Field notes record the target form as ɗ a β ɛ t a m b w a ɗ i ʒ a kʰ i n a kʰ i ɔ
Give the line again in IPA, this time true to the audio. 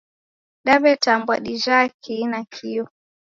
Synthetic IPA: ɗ a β ɛ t a m b w a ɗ i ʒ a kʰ i n a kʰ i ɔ